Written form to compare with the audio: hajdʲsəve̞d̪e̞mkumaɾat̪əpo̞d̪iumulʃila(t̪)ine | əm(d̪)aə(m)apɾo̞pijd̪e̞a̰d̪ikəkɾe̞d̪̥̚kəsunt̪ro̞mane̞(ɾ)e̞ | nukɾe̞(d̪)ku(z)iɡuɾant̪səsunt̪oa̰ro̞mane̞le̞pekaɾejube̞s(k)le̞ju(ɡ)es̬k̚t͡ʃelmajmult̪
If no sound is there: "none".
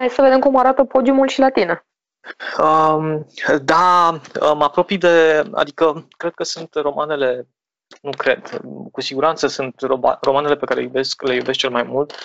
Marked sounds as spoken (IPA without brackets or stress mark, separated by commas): t̪, d̪, m, l, d̪, s, k, b